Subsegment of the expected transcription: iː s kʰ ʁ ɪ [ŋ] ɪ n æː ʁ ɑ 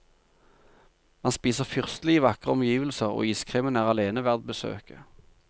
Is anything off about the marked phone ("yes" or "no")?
yes